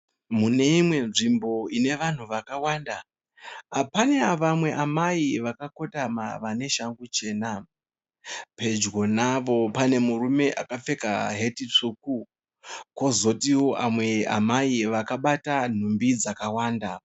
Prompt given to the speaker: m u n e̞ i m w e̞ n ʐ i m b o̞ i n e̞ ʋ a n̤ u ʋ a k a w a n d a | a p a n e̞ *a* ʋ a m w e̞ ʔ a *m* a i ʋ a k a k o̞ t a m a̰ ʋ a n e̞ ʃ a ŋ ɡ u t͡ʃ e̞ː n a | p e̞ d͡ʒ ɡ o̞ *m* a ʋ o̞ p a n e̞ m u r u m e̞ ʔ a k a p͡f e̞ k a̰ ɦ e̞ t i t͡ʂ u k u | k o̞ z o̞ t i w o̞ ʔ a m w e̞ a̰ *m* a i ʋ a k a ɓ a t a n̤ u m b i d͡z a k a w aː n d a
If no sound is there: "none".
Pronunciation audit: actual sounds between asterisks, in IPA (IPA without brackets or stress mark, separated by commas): a, m, n, m